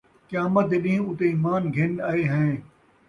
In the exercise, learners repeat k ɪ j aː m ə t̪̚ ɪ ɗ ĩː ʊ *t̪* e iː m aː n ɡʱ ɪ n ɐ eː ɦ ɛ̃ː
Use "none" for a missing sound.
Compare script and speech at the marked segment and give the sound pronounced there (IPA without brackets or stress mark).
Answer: t̪